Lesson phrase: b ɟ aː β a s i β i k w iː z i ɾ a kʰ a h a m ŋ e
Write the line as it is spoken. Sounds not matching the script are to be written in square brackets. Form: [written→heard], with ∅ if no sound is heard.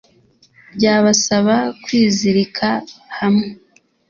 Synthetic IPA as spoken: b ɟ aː β a s [i→a] β [i→a] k w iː z i ɾ [a→i] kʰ a h a m ŋ e